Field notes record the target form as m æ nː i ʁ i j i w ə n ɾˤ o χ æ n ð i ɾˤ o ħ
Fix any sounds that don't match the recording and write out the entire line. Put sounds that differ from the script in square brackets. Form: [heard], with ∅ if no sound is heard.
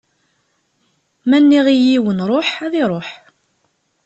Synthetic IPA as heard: m æ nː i ʁ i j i w ə n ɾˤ o [ħ] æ [∅] ð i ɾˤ o ħ